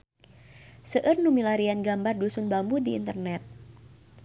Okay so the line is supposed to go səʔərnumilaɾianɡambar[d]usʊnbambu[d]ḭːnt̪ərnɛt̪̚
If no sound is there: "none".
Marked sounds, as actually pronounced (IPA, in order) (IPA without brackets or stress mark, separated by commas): d, d